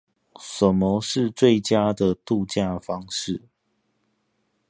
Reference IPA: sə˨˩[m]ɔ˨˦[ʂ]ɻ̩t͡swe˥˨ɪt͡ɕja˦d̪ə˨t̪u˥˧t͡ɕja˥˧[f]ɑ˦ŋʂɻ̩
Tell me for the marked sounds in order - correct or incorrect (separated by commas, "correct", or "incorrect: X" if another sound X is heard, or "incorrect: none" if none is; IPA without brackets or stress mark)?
correct, correct, correct